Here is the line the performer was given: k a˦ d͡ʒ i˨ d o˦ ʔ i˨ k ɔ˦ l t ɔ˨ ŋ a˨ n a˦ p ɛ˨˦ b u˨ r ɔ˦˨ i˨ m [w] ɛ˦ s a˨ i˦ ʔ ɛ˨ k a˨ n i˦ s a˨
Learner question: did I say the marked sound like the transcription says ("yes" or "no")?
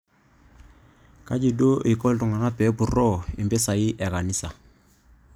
no